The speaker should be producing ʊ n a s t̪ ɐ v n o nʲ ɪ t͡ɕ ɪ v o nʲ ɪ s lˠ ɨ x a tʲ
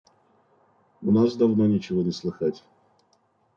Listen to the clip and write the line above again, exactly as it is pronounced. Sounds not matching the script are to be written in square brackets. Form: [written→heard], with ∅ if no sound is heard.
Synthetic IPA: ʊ n a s [t̪→d̪] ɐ v n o nʲ ɪ t͡ɕ ɪ v o nʲ ɪ s lˠ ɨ x a tʲ